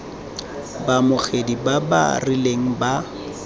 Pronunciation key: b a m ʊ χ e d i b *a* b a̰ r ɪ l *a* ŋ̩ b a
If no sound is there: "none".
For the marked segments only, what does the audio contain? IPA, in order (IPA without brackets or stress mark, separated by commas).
a, e